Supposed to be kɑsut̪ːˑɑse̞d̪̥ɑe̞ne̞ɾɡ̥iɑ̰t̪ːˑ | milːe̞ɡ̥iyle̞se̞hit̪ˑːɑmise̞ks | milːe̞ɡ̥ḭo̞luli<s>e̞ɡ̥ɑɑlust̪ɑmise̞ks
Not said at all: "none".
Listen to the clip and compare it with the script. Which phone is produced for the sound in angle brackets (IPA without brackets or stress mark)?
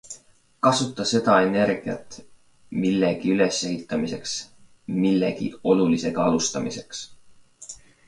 s